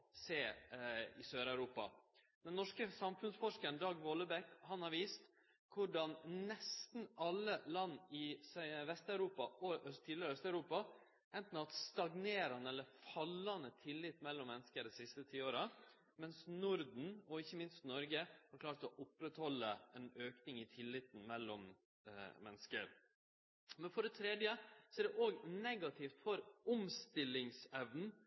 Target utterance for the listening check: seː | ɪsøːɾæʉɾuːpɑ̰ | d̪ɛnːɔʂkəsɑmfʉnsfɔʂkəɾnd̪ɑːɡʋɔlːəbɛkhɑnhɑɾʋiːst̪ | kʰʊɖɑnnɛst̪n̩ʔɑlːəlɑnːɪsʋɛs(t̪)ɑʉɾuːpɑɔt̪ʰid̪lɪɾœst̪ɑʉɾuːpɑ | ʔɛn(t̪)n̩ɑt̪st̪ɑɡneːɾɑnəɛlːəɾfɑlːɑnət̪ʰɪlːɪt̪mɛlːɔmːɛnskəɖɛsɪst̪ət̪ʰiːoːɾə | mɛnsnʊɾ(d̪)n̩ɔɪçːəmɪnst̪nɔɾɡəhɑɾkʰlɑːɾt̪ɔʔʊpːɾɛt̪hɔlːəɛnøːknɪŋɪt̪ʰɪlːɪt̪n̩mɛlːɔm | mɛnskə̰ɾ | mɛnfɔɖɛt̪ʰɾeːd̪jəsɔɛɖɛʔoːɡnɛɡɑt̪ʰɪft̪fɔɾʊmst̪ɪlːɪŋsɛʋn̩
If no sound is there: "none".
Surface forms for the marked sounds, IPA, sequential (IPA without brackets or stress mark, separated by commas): t̪, t̪, d̪